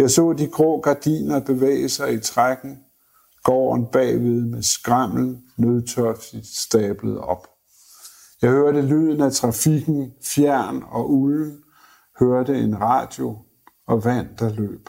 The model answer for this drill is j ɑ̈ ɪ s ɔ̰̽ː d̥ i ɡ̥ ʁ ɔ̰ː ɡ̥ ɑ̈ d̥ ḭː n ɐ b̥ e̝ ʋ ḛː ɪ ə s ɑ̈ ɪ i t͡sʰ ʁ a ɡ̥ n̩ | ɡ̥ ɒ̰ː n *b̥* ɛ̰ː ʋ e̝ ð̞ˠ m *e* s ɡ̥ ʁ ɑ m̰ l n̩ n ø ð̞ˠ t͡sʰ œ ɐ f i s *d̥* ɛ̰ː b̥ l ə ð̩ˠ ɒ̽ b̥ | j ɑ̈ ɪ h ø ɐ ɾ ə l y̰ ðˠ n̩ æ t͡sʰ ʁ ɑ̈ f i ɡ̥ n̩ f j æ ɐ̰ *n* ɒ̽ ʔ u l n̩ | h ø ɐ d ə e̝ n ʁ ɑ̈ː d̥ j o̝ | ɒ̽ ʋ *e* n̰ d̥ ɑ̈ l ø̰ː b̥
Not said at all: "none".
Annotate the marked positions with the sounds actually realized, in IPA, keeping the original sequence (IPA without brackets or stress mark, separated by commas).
b̥, e, d̥, n, æ